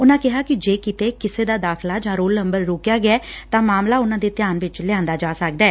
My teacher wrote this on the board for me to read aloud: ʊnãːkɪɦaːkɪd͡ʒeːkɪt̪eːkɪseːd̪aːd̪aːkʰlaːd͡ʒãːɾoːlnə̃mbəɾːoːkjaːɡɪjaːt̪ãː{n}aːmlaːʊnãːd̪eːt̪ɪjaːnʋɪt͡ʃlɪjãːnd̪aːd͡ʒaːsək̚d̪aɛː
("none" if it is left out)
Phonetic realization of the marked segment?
m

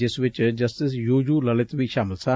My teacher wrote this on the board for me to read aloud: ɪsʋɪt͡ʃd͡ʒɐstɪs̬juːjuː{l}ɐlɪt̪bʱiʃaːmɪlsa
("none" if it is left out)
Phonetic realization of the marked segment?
l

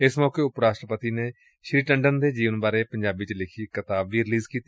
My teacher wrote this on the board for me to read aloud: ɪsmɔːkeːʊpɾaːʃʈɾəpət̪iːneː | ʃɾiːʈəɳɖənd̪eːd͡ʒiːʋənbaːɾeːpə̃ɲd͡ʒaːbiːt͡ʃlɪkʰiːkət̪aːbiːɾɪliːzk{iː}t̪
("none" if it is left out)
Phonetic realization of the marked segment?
iː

